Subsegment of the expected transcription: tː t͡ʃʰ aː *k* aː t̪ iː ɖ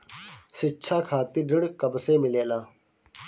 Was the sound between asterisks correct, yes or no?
no